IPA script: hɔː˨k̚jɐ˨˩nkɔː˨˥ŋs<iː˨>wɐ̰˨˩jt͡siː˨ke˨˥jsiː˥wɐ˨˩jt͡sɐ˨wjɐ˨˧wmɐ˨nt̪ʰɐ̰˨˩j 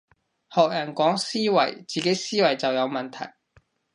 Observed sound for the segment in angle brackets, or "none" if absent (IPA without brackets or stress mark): iː˥